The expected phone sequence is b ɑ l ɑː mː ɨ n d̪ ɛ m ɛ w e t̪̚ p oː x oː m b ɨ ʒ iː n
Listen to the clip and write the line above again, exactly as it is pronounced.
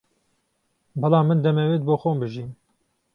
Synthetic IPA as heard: b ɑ l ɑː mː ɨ n d̪ ɛ m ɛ w e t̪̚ b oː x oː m b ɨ ʒ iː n